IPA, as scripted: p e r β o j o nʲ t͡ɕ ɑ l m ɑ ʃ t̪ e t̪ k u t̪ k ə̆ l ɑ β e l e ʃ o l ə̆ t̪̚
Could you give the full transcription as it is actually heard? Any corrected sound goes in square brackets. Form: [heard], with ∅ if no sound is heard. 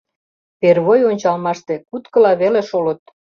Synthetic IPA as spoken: p e r β o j o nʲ t͡ɕ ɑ l m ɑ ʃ t̪ e [∅] k u t̪ k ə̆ l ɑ β e l e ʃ o l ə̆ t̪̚